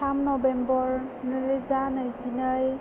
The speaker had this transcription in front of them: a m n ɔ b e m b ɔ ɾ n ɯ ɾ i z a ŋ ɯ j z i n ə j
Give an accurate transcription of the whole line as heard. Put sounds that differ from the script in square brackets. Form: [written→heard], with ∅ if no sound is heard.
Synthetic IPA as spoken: a m n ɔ b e m b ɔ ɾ n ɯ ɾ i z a [ŋ→n] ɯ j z i n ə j